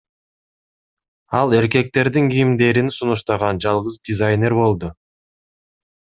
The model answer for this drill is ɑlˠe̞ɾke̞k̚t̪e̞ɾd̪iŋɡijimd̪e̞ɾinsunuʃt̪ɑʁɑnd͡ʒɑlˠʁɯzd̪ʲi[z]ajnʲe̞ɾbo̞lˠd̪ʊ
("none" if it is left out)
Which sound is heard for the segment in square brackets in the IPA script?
z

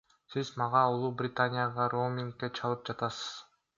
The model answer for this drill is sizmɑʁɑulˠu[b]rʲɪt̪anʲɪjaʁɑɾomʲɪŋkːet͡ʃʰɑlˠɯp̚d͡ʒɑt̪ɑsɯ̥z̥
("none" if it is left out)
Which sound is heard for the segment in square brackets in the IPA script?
b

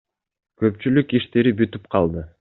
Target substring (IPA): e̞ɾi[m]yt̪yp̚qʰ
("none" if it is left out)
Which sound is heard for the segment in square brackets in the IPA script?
b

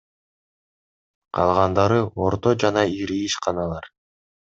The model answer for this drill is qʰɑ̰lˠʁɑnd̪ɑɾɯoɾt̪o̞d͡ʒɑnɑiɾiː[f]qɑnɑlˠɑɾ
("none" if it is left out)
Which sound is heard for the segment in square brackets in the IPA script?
ʃ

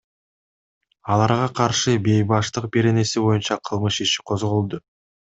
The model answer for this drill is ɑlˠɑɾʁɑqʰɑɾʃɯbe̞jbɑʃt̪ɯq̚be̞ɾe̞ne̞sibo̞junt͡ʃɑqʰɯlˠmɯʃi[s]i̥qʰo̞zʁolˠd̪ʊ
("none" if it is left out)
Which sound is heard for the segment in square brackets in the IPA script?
ʃ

